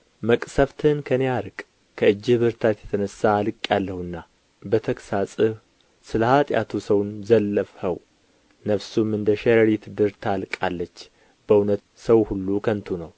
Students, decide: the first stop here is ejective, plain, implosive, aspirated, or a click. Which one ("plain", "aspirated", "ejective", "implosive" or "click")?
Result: ejective